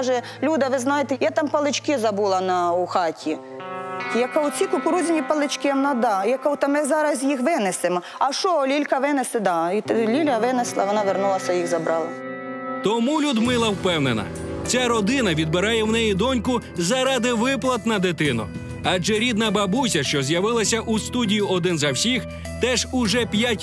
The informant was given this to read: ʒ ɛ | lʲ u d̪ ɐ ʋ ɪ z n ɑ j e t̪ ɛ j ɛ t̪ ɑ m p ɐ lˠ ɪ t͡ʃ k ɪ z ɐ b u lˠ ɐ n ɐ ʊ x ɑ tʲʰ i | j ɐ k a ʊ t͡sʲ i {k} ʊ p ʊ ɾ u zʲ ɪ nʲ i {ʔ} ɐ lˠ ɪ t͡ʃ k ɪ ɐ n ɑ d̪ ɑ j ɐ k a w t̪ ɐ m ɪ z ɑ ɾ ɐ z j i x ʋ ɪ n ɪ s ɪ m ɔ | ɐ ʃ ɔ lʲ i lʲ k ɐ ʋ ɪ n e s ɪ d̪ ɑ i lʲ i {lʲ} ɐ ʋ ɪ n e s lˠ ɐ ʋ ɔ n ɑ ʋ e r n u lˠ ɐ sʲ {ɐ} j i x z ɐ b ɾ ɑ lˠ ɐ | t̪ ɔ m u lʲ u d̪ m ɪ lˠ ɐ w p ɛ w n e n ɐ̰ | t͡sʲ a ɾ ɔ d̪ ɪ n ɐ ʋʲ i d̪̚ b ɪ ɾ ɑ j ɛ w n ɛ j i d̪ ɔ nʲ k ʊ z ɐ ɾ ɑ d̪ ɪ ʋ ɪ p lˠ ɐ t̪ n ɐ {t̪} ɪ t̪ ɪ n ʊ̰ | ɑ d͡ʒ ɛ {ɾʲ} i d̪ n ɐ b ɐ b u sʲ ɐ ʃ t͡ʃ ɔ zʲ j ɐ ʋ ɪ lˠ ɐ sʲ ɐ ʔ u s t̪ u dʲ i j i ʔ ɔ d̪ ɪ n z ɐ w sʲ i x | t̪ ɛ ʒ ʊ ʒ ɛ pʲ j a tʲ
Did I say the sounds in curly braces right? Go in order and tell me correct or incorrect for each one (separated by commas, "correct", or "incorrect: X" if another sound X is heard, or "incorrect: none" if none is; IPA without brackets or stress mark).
correct, incorrect: p, correct, correct, incorrect: d̪, correct